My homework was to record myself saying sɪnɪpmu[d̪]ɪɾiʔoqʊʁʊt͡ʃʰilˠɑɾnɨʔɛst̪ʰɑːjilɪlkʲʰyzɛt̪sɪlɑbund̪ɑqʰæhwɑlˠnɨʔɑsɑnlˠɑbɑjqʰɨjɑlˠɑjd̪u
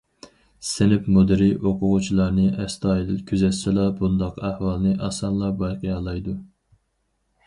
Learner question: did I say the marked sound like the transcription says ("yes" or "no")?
yes